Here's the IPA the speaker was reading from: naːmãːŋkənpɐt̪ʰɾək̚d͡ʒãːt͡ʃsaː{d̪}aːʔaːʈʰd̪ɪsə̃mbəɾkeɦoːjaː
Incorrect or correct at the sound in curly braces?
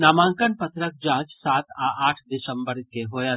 incorrect: t̪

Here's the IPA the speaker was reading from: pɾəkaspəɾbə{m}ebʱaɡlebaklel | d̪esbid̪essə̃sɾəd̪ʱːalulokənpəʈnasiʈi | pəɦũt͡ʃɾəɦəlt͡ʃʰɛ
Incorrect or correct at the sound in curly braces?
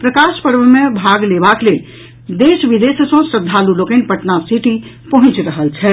correct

